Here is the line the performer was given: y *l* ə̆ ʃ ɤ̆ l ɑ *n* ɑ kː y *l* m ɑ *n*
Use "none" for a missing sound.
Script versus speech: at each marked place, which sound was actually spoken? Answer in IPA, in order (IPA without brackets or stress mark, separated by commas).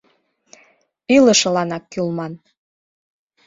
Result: l, n, l, n